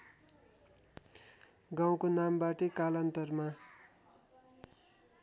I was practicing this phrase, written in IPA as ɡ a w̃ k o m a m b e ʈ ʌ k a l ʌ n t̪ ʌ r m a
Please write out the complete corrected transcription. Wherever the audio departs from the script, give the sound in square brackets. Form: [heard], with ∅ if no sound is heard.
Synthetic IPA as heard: ɡ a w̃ k o [n] a m b [a] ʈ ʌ k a l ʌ n t̪ ʌ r m a